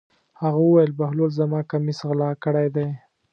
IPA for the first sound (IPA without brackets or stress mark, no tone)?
h